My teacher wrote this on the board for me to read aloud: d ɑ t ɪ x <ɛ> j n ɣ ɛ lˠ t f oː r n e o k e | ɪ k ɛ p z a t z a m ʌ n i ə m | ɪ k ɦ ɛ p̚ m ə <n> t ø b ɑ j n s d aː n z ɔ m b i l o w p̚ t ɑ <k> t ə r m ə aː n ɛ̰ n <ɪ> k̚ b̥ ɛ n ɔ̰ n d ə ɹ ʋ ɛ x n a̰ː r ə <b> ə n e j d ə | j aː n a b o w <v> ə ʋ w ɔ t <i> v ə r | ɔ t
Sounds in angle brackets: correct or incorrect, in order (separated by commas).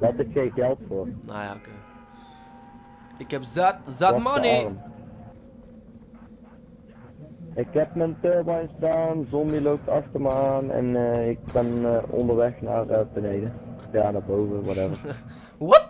incorrect, correct, incorrect, correct, correct, correct, incorrect